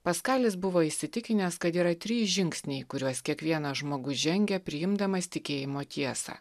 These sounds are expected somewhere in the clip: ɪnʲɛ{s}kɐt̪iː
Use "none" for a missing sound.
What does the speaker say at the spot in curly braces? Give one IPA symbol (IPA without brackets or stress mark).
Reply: s